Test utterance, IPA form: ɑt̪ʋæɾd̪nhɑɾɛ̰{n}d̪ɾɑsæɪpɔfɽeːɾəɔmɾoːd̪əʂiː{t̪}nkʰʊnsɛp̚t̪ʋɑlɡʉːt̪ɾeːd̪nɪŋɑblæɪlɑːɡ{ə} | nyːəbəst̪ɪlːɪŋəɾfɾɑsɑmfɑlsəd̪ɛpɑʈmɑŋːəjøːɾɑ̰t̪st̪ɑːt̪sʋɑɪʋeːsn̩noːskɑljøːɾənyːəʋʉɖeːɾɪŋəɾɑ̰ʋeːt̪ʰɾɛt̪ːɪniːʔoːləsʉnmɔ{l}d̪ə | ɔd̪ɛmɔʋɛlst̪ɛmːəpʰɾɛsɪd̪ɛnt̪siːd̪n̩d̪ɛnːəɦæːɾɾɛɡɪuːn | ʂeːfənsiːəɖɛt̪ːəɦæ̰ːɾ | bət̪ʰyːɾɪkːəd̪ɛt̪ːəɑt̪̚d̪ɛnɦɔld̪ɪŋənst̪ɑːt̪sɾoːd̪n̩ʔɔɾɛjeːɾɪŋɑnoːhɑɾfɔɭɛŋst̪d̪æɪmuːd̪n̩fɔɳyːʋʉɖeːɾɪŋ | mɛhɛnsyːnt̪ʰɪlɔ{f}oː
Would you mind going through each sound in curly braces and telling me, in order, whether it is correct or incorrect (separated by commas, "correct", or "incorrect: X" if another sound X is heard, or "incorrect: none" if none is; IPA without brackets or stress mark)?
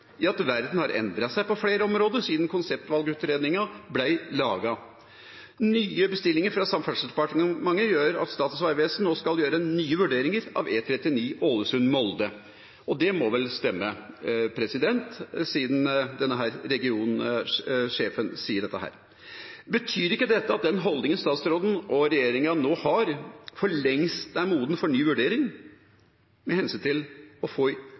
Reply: correct, incorrect: d̪, incorrect: ɑ, correct, correct